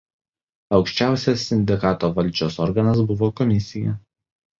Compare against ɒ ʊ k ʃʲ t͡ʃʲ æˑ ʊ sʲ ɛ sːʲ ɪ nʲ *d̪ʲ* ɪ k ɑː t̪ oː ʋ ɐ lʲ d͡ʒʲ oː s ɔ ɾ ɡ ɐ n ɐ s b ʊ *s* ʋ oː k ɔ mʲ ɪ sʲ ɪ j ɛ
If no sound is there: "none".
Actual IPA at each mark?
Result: d̪ʲ, none

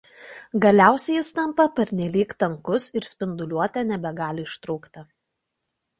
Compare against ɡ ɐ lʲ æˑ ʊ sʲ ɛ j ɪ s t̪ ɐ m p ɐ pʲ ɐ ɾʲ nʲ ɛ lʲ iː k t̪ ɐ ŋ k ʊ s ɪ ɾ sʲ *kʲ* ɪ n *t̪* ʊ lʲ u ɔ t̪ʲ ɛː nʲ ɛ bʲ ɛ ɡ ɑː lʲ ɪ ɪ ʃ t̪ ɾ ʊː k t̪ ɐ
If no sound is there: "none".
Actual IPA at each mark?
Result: pʲ, d̪

